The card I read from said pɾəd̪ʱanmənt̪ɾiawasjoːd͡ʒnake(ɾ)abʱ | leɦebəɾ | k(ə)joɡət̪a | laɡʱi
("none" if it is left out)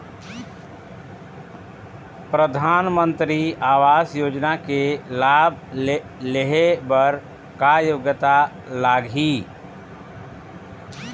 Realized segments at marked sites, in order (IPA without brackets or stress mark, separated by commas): l, a